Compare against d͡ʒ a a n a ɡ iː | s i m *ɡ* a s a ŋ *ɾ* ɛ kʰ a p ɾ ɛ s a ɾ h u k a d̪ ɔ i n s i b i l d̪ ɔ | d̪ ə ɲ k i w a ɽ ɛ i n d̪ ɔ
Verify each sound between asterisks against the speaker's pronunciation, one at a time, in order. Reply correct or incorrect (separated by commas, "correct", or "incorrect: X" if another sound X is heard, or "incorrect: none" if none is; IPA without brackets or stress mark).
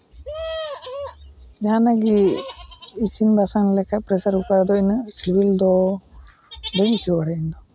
incorrect: b, incorrect: l